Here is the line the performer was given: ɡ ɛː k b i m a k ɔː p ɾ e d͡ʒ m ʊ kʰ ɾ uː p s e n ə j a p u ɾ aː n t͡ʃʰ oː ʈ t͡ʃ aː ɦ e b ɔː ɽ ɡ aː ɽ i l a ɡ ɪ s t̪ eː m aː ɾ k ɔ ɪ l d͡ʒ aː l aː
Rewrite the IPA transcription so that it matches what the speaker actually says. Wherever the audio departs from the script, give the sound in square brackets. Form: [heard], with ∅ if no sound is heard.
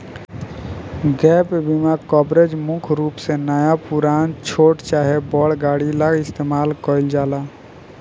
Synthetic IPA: ɡ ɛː [p] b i m a k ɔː [b] ɾ e d͡ʒ m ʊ kʰ ɾ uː p s e n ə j a p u ɾ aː n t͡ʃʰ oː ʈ t͡ʃ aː ɦ e b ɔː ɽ ɡ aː ɽ i l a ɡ ɪ s t̪ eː m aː [l] k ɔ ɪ l d͡ʒ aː l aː